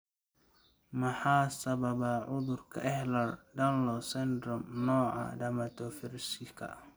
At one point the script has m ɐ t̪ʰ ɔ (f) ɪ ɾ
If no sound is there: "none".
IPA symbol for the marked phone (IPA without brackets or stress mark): f